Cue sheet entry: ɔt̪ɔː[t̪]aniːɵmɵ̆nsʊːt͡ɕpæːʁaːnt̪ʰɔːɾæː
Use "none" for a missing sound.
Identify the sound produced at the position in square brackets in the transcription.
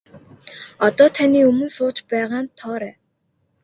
t̪ʰ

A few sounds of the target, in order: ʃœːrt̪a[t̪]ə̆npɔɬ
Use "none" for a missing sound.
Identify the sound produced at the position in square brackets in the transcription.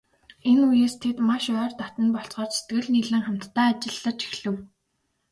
t̪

